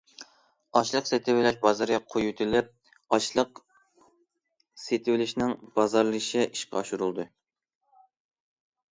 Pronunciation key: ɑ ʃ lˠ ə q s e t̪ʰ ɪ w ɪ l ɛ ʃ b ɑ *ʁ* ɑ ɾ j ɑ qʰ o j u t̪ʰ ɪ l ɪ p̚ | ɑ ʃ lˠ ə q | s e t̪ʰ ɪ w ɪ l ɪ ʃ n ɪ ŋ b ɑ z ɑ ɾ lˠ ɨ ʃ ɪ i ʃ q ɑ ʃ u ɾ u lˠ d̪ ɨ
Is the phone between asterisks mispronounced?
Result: yes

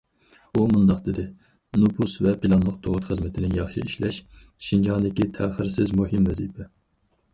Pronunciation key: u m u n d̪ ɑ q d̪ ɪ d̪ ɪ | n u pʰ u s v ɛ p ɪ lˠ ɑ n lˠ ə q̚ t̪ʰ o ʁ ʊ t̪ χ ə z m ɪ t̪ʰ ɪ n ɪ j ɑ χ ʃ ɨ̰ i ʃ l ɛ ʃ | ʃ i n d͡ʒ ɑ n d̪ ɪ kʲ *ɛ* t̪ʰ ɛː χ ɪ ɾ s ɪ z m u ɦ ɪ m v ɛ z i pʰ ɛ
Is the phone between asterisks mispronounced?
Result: yes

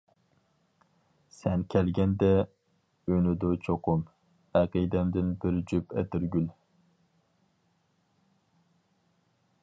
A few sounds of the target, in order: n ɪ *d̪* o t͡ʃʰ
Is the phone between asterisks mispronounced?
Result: no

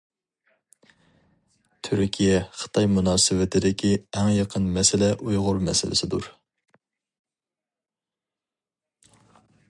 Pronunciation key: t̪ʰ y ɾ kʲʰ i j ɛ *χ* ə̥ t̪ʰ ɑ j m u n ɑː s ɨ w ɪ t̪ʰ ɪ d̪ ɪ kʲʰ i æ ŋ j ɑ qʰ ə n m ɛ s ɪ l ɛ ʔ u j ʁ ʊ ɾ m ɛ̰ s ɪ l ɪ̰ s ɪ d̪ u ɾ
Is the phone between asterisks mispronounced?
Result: no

